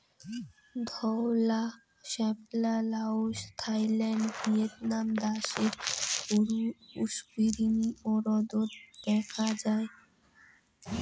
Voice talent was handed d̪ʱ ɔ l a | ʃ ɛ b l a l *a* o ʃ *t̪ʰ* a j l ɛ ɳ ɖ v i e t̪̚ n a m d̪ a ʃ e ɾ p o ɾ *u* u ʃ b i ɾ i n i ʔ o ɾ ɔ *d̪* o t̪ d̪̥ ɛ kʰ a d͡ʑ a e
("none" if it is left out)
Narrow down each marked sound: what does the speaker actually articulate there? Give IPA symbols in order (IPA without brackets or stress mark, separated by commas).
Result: a, t̪ʰ, u, d̪